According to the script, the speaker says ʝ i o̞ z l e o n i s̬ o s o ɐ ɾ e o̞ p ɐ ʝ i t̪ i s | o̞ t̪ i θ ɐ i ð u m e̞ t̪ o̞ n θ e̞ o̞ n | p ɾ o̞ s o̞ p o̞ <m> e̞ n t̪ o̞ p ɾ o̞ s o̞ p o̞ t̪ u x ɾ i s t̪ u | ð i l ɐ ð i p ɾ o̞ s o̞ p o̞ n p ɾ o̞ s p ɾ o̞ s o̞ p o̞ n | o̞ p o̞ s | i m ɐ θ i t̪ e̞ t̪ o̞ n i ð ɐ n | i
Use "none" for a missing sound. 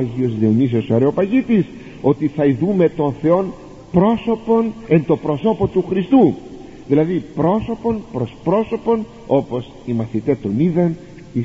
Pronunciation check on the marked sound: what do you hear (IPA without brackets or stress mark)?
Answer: n